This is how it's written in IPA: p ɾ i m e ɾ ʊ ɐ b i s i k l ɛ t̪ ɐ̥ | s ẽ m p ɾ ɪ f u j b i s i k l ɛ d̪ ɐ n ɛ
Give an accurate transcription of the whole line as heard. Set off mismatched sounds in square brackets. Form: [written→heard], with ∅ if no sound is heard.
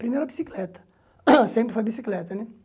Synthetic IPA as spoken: p ɾ i m e ɾ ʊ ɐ b i s i k l ɛ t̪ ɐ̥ | s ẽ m p ɾ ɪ f [u→o] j b i s i k l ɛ [d̪→t̪] ɐ n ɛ